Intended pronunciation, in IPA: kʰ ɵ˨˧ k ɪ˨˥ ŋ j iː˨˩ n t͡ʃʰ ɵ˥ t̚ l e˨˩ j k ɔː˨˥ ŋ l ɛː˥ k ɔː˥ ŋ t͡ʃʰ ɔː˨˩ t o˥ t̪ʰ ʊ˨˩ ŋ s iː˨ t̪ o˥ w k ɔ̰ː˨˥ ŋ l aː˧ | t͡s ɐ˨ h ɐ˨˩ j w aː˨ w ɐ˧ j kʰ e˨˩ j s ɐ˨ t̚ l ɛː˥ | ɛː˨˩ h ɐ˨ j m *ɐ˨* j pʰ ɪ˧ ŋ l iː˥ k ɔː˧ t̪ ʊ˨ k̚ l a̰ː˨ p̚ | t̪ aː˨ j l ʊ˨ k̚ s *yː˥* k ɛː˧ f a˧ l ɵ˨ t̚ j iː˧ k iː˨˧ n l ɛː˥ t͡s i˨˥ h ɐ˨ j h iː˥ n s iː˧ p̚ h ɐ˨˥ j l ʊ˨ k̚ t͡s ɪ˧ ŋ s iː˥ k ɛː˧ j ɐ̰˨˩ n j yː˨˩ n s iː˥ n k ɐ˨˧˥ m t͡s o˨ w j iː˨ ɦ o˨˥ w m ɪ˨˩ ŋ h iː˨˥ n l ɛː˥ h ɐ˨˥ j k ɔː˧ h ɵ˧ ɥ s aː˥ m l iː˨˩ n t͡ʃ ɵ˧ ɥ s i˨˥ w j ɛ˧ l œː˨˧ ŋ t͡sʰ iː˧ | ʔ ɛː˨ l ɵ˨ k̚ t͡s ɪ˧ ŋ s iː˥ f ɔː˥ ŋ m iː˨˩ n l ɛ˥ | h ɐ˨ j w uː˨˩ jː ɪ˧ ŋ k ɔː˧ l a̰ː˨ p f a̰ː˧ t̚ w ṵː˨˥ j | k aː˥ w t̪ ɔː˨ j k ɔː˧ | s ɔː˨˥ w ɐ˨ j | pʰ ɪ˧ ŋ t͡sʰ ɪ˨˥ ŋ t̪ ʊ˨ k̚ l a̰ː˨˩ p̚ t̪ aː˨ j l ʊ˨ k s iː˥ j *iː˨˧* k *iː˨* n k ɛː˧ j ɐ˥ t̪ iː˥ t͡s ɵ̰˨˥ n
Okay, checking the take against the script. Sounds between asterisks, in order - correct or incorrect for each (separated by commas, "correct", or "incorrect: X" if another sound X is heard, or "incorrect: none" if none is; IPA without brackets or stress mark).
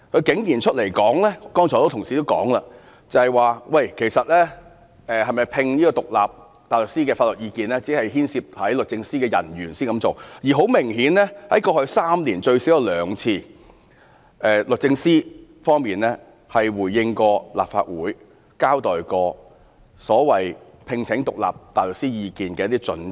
correct, incorrect: iː˥, correct, correct